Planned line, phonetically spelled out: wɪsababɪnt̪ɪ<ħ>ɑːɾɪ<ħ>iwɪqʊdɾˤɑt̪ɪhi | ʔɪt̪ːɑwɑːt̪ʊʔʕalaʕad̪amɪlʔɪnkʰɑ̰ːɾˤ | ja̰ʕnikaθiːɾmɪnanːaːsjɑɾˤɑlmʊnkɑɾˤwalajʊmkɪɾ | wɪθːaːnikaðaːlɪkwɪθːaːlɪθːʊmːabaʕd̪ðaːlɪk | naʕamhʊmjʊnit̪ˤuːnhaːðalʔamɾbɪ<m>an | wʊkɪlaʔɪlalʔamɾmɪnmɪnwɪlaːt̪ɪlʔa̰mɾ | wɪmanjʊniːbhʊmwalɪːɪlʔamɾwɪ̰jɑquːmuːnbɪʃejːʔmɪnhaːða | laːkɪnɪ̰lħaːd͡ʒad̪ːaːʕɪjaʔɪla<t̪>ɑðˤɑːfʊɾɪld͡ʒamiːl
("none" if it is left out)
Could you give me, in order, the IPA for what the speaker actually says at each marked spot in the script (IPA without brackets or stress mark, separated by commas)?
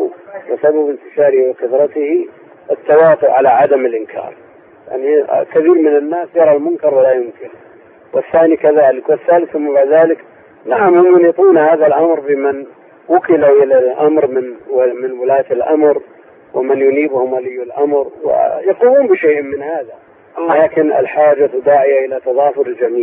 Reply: ʃ, h, m, t̪